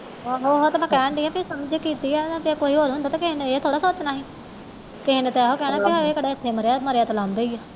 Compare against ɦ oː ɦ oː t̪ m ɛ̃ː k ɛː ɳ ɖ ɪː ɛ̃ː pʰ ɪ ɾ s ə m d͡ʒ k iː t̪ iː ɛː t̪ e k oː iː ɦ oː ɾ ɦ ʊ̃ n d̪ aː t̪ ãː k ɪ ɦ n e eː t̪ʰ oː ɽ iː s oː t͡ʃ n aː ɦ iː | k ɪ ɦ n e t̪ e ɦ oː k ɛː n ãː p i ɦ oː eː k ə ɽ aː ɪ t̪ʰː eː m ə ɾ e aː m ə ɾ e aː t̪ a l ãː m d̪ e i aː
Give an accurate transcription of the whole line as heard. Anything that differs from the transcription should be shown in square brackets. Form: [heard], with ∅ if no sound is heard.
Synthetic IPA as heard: ɦ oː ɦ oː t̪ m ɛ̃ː k ɛː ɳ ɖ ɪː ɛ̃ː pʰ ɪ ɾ s ə m d͡ʒ k iː t̪ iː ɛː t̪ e k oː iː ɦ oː ɾ ɦ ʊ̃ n d̪ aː t̪ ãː k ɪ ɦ n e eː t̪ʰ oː ɽ [aː] s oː t͡ʃ n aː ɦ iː | k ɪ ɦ n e t̪ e ɦ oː k ɛː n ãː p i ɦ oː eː k ə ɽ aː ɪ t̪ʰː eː m ə ɾ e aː m ə ɾ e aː t̪ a l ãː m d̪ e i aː

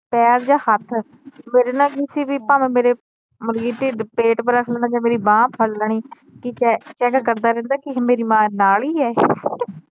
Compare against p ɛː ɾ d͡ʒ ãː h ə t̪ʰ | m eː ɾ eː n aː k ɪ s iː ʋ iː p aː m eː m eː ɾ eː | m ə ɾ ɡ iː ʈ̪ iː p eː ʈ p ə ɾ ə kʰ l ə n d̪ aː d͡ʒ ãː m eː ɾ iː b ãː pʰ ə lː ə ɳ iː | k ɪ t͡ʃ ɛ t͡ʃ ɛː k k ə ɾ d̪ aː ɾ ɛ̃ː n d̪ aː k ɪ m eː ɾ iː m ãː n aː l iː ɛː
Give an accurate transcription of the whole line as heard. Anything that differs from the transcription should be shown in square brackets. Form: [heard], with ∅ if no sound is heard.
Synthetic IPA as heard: p ɛː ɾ d͡ʒ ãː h ə t̪ʰ | m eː ɾ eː n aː k ɪ s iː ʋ iː p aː m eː m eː ɾ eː | m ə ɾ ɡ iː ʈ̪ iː p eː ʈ p ə ɾ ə kʰ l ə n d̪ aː d͡ʒ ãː m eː ɾ iː b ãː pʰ ə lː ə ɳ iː | k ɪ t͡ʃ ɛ t͡ʃ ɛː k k ə ɾ d̪ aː ɾ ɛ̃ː n d̪ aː k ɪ m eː ɾ iː m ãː n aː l iː ɛː

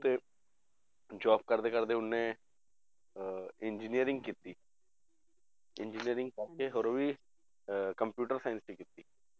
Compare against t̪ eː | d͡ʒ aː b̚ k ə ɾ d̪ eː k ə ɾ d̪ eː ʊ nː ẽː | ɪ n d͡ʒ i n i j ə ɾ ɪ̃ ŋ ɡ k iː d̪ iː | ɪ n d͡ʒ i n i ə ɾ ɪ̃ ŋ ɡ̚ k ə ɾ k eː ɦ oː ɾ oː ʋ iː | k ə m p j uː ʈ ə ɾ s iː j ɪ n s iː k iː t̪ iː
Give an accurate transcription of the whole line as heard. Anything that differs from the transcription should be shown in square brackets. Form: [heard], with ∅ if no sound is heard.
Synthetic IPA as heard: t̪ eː | d͡ʒ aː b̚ k ə ɾ d̪ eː k ə ɾ d̪ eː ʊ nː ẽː | ɪ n d͡ʒ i n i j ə ɾ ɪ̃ ŋ ɡ k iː [t̪] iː | ɪ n d͡ʒ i n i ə ɾ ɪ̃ ŋ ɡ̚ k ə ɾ k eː ɦ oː ɾ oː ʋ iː | k ə m p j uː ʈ ə ɾ s [aː] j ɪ n s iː k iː t̪ iː

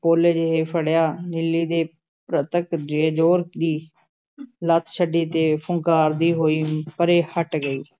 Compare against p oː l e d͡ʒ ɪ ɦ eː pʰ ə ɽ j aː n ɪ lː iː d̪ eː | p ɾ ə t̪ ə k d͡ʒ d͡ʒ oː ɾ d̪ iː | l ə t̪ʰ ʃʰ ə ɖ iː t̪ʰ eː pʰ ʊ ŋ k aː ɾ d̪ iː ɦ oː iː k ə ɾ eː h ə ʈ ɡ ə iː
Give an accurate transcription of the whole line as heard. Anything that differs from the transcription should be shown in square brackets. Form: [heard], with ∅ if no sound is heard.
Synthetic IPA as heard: p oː l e d͡ʒ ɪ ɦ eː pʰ ə ɽ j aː n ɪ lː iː d̪ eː | p ɾ ə t̪ ə k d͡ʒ d͡ʒ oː ɾ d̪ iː | l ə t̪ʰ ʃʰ ə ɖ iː [t̪] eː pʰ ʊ ŋ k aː ɾ d̪ iː ɦ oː iː [p] ə ɾ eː h ə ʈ ɡ ə iː

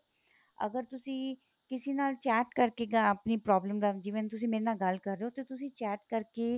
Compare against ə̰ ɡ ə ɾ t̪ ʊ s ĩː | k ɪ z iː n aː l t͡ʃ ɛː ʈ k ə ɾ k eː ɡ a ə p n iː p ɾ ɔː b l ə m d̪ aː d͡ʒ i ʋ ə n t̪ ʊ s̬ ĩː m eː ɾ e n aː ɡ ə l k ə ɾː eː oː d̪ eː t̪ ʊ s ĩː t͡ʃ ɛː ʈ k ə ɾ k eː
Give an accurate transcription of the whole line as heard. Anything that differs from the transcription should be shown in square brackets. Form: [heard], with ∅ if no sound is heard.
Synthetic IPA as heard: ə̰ ɡ ə ɾ t̪ ʊ s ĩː | k ɪ [s] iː n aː l t͡ʃ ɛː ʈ k ə ɾ k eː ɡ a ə p n iː p ɾ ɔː b l ə m d̪ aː d͡ʒ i ʋ ə n t̪ ʊ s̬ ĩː m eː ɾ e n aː ɡ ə l k ə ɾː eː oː [t̪] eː t̪ ʊ s ĩː t͡ʃ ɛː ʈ k ə ɾ k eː

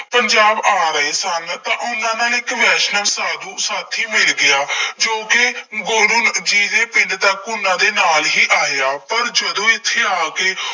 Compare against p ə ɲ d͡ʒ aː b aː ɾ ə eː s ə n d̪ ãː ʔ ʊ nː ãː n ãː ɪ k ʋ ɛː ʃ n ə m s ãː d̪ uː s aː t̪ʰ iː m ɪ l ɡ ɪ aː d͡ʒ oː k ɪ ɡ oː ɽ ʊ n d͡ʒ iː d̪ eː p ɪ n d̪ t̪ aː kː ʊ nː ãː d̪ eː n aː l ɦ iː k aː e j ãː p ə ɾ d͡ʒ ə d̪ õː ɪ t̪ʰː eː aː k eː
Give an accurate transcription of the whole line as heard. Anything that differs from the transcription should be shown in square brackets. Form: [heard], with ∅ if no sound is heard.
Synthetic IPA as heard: p ə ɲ d͡ʒ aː b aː ɾ ə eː s ə n [t̪] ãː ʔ ʊ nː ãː n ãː ɪ k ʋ ɛː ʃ n ə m s [aː] d̪ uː s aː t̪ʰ iː m ɪ l ɡ ɪ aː d͡ʒ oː k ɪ ɡ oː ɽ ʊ n d͡ʒ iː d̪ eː p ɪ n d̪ t̪ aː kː ʊ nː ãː d̪ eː n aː l ɦ iː [ʔ] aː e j [aː] p ə ɾ d͡ʒ ə d̪ õː ɪ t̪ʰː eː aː k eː

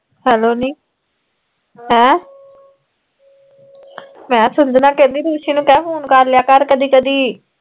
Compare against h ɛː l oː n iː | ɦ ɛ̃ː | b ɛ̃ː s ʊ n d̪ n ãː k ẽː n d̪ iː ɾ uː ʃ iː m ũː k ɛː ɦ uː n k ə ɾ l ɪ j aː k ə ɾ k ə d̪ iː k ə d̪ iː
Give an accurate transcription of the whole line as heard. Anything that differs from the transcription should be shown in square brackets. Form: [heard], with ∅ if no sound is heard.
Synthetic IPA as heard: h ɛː l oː n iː | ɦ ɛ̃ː | [m] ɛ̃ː s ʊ n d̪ n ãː k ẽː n d̪ iː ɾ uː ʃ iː [n] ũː k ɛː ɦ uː n k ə ɾ l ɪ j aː k ə ɾ k ə d̪ iː k ə d̪ iː

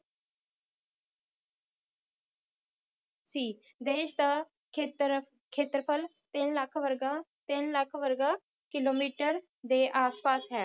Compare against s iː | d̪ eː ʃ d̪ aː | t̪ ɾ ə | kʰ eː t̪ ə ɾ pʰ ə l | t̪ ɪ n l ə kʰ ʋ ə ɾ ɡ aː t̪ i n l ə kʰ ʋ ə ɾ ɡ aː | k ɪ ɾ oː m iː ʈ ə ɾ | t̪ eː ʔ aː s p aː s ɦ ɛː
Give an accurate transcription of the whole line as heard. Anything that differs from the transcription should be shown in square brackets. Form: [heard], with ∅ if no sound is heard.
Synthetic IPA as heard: s iː | d̪ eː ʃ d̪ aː | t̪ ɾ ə | kʰ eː t̪ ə ɾ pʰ ə l | t̪ ɪ n l ə kʰ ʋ ə ɾ ɡ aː t̪ [ɪ] n l ə kʰ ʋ ə ɾ ɡ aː | k ɪ [l] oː m iː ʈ ə ɾ | [d̪] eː ʔ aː s p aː s ɦ ɛː

